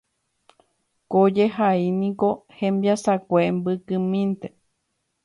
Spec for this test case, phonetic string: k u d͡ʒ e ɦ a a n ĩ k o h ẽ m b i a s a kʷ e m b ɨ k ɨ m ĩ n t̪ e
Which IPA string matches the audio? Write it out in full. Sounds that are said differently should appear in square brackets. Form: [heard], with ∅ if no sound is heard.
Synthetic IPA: k [o] d͡ʒ e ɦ a [i] n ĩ k o h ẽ m b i a s a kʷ e m b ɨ k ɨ m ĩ n t̪ e

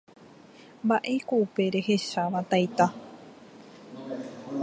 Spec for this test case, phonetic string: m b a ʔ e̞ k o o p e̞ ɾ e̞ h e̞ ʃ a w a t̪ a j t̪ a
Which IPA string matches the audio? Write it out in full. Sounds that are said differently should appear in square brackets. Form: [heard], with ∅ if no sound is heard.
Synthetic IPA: m b a ʔ e̞ k o [u] p e̞ ɾ e̞ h e̞ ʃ a [ʋ] a t̪ a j t̪ a

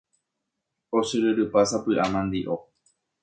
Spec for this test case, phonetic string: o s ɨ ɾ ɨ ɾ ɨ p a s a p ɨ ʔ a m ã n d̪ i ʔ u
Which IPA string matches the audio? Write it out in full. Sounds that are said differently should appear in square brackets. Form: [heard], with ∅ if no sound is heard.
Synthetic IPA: o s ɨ ɾ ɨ ɾ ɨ p a s a p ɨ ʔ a m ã n d̪ i ʔ [o]

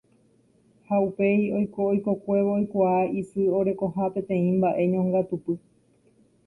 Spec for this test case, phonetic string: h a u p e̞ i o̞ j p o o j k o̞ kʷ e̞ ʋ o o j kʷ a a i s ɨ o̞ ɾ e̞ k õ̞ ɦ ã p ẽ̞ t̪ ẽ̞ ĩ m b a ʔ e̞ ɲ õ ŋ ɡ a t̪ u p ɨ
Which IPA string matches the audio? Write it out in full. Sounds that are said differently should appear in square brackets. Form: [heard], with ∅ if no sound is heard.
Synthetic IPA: h a u p e̞ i o̞ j [k] o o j k o̞ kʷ e̞ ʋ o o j kʷ a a i s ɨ o̞ ɾ e̞ k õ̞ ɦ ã p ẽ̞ t̪ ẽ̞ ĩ m b a ʔ e̞ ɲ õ ŋ ɡ a t̪ u p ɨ

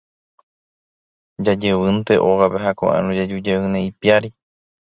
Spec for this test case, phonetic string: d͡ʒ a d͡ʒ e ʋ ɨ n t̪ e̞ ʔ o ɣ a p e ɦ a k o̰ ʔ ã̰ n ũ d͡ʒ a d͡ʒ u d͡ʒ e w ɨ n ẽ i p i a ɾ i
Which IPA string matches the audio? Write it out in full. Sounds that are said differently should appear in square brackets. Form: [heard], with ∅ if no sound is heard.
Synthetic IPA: d͡ʒ a d͡ʒ e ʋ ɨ n t̪ e̞ ʔ o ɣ a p e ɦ a k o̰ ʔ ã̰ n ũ d͡ʒ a d͡ʒ u d͡ʒ e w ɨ n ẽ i p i a ɾ i

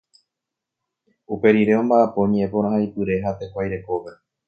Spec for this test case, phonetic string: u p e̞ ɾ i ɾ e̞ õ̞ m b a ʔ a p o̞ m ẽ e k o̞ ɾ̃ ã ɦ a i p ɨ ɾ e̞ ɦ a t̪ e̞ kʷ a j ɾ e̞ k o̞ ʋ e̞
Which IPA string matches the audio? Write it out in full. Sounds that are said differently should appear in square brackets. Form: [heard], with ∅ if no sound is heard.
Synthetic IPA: u p e̞ ɾ i ɾ e̞ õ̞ m b a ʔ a p o̞ [ɲ] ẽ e [p] o̞ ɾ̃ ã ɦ a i p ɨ ɾ e̞ ɦ a t̪ e̞ kʷ a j ɾ e̞ k o̞ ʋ e̞

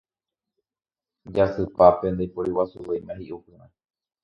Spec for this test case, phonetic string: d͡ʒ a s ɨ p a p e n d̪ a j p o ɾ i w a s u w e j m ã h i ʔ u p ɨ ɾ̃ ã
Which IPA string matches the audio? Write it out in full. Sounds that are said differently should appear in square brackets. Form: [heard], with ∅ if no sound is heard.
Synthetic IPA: d͡ʒ a s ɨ p a p e n d̪ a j p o ɾ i w a s u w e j m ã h i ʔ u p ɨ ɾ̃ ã

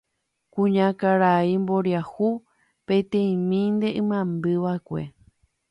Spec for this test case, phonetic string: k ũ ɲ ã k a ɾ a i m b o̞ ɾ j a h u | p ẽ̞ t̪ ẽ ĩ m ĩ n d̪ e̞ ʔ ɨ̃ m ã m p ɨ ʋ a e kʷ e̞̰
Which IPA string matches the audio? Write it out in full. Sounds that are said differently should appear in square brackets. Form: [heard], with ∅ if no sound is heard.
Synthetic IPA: k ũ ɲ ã k a ɾ a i m b o̞ ɾ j a h u | p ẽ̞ t̪ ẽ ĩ m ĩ n d̪ e̞ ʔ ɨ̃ m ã m [b] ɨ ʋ a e kʷ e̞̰

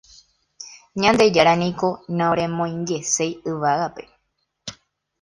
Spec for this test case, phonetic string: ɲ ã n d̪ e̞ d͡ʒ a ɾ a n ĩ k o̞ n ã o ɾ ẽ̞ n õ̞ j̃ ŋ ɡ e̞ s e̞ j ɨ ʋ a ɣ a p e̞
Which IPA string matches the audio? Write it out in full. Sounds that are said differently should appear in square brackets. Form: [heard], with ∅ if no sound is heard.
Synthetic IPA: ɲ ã n d̪ e̞ d͡ʒ a ɾ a n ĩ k o̞ n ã o ɾ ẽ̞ [m] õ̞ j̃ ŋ ɡ e̞ s e̞ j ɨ ʋ a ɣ a p e̞

